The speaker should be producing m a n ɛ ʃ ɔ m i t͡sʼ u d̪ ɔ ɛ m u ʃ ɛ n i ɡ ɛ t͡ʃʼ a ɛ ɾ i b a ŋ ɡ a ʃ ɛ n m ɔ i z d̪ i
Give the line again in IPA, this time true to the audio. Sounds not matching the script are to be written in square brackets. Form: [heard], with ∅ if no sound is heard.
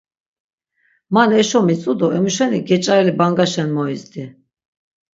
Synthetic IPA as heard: m a n ɛ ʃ ɔ m i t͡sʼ u d̪ ɔ ɛ m u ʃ ɛ n i ɡ ɛ t͡ʃʼ a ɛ [l] i b a ŋ ɡ a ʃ ɛ n m ɔ i z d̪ i